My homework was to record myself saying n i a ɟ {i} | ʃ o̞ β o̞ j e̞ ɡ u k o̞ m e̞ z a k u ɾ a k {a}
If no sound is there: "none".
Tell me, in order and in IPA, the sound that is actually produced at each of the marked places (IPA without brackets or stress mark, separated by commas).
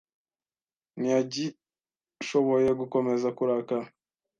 i, a